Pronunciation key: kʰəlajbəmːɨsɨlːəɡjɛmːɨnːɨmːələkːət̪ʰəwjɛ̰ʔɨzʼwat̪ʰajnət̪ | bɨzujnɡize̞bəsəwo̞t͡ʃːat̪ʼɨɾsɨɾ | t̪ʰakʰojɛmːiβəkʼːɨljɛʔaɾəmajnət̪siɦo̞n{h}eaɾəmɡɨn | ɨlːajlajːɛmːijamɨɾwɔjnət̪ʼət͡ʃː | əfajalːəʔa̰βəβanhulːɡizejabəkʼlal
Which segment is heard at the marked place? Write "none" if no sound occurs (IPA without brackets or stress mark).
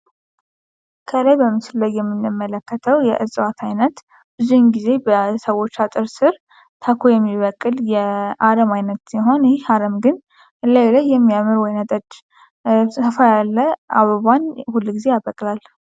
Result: h